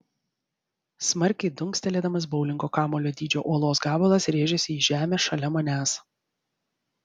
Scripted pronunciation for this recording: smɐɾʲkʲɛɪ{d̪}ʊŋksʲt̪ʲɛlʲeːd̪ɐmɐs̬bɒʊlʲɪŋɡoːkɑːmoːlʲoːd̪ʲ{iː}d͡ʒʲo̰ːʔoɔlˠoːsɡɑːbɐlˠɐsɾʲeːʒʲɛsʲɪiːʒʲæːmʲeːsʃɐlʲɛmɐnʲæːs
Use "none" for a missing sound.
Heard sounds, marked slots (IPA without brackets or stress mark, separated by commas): d̪, iː